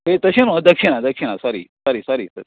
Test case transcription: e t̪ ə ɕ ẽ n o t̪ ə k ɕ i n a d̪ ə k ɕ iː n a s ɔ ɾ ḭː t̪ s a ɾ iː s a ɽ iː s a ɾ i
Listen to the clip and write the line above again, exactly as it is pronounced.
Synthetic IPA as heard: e t̪ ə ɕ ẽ n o d̪ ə k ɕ i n a d̪ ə k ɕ i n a s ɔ ɾ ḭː s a ɾ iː s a ɾ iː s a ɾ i